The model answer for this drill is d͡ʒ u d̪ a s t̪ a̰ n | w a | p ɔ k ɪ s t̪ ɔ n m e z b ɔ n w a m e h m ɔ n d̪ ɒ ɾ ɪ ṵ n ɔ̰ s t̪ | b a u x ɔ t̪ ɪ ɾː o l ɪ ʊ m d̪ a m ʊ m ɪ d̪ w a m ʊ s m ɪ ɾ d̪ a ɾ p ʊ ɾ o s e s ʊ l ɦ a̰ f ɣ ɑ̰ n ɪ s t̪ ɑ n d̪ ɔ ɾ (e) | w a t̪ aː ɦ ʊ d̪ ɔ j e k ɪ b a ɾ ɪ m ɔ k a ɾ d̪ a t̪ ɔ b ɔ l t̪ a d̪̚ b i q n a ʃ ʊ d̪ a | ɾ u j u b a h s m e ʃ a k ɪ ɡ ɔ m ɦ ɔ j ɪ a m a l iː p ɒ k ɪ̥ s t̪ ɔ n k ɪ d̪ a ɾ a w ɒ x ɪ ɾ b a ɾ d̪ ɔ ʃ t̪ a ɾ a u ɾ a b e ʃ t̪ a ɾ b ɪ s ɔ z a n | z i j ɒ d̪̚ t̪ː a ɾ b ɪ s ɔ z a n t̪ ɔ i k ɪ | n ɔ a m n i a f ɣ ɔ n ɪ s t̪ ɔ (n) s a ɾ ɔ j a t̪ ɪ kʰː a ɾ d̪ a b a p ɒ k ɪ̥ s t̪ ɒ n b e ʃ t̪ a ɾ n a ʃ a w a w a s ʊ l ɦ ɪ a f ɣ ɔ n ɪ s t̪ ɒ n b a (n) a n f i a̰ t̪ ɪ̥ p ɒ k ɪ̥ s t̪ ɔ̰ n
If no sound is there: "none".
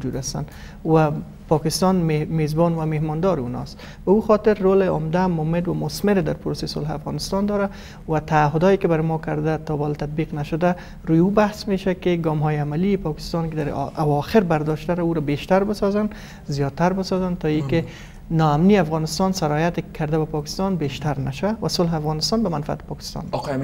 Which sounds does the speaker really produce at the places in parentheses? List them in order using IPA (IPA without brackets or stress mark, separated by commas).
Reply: a, n, m